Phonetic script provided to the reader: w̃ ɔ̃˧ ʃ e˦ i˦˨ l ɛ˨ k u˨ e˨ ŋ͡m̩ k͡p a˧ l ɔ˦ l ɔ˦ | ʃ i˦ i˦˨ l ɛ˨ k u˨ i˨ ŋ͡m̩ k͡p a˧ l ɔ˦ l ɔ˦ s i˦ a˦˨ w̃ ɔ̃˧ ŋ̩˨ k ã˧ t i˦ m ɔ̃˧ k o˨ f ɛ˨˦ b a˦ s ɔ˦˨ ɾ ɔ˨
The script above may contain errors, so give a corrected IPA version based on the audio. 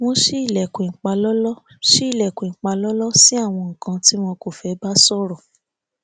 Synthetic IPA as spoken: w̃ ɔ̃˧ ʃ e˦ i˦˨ l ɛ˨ k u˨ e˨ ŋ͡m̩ k͡p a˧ l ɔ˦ l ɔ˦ | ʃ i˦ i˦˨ l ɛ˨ k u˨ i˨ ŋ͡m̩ k͡p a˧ l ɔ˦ l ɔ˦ s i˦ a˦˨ w̃ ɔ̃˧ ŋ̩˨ k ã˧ t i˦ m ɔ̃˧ k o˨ f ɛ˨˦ b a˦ s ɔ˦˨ ɾ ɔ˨